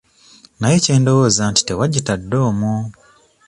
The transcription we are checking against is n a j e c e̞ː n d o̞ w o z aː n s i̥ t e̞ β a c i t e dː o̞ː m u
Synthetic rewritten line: n a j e c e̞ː n d o̞ w o z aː n t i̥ t e̞ w a ɟ i t a dː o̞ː m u